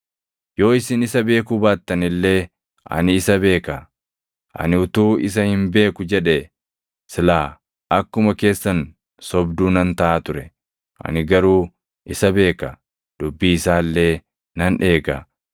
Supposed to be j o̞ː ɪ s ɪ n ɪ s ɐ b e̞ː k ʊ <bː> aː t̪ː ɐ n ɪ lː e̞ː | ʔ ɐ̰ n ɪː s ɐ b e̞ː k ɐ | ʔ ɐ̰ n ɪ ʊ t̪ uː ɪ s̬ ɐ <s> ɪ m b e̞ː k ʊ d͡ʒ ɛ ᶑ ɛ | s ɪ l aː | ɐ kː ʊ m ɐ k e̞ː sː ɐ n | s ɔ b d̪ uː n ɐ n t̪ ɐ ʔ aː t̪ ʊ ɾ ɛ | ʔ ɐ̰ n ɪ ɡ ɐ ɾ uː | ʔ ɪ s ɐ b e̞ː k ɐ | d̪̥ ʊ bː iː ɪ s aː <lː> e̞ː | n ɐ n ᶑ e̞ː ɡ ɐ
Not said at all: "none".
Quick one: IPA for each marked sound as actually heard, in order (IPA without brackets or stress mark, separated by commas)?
b, h, lː